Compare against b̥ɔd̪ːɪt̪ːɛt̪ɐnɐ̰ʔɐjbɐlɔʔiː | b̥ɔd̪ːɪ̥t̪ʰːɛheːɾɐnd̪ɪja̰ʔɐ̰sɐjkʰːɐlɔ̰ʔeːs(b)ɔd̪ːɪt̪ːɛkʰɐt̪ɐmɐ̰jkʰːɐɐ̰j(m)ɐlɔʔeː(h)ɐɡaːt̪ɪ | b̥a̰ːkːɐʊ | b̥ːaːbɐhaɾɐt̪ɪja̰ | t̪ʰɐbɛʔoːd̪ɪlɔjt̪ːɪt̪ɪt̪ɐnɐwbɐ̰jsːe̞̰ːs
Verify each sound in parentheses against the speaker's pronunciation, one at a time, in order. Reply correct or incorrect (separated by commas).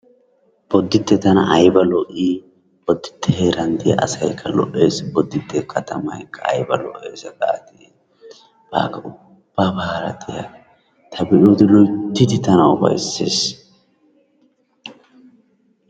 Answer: correct, incorrect, incorrect